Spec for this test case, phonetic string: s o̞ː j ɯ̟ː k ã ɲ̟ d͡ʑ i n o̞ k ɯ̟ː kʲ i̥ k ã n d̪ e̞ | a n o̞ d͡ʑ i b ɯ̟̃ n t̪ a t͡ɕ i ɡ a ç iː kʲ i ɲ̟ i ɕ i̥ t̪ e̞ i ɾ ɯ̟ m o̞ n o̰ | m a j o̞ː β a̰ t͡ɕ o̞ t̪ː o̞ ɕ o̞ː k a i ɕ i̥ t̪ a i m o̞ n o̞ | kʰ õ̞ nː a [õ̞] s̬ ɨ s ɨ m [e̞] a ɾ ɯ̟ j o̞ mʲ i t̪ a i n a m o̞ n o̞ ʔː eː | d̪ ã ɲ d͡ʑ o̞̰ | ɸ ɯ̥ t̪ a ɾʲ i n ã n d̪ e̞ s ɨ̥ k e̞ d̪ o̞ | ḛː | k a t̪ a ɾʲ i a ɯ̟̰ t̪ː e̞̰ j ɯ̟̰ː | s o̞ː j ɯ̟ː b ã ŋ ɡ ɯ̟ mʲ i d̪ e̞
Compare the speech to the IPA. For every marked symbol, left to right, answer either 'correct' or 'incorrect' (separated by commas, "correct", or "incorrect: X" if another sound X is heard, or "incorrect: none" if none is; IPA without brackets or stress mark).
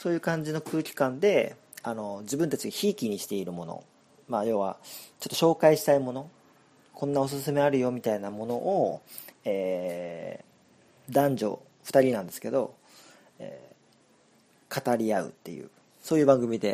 incorrect: o̞, correct